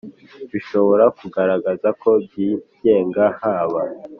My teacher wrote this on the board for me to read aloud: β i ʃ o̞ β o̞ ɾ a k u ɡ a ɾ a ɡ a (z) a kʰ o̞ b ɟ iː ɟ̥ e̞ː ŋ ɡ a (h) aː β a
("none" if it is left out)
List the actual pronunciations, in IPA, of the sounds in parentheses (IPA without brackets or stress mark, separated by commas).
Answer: z, h